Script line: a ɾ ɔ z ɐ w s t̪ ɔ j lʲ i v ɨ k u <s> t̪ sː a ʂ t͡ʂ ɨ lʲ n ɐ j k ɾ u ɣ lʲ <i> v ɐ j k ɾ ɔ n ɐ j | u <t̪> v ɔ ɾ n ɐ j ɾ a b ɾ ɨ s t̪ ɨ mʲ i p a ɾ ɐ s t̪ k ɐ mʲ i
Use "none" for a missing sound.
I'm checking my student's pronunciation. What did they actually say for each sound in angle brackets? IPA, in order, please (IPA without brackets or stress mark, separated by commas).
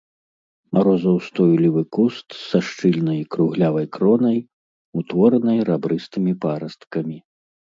s, a, t̪